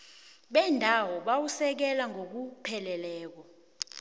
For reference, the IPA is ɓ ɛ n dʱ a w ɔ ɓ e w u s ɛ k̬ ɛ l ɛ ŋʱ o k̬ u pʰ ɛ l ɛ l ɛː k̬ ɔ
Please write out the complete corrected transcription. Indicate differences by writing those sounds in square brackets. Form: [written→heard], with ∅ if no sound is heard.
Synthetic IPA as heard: ɓ ɛ n dʱ a w ɔ ɓ [e→a] w u s ɛ k̬ ɛ l [ɛ→a] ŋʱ o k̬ u pʰ ɛ l ɛ l ɛː k̬ ɔ

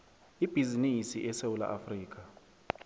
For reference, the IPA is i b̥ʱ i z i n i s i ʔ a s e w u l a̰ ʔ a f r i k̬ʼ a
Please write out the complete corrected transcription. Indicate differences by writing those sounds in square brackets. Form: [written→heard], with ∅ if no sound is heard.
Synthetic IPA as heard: i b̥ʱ i z i n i s i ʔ [a→ɛ] s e w u l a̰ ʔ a f r [i→iː] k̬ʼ a

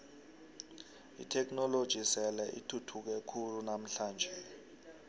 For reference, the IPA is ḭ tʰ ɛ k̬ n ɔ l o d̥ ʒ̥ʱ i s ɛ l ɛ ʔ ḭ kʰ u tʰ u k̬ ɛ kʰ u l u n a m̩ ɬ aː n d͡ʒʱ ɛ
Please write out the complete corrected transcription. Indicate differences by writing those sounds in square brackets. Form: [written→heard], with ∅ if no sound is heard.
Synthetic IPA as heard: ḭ tʰ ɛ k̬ n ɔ l o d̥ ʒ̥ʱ i s ɛ l ɛ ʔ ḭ [kʰ→tʰ] u tʰ u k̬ ɛ kʰ u l u n a m̩ ɬ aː n d͡ʒʱ ɛ

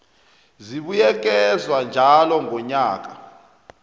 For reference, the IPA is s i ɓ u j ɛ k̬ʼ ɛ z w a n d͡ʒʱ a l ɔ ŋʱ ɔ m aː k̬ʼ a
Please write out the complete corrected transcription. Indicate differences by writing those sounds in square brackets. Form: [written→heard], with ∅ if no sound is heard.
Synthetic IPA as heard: [s→z] i ɓ u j ɛ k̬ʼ ɛ z w a n d͡ʒʱ a l ɔ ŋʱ ɔ [m→ɲ] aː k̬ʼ a

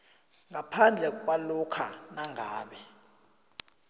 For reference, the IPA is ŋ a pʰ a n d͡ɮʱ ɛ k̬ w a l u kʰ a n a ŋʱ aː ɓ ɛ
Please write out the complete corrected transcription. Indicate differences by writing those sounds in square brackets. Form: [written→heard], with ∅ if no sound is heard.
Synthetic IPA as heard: ŋ a pʰ a n d͡ɮʱ ɛ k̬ w a l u kʰ a n a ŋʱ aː ɓ ɛ

